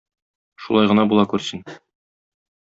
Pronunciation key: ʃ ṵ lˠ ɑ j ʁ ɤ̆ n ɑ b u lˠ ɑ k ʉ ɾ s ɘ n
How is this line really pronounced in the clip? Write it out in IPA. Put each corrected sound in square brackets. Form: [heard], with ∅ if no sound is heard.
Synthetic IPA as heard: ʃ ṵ lˠ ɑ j ʁ ɤ̆ n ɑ b u lˠ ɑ k ʉ ɾ s ɘ n